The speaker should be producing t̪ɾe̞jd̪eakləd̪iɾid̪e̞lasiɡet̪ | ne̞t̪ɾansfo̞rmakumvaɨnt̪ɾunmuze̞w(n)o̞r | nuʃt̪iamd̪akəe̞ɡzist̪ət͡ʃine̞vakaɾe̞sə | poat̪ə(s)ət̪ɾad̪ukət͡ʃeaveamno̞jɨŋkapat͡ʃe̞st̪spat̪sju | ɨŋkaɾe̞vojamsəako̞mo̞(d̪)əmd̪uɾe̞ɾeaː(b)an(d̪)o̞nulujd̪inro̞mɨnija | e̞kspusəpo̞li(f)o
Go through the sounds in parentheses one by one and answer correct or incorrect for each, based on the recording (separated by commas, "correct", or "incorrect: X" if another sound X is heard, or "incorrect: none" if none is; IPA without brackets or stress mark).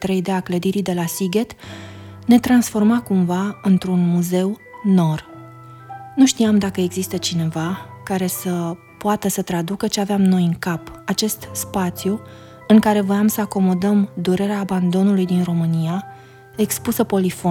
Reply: correct, correct, correct, correct, correct, correct